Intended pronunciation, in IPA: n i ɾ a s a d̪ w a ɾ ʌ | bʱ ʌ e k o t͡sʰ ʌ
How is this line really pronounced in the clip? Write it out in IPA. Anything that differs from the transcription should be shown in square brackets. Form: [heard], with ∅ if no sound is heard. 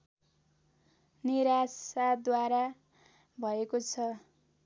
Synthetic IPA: n i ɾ a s a d̪ w a ɾ [a] | bʱ ʌ e k o t͡sʰ ʌ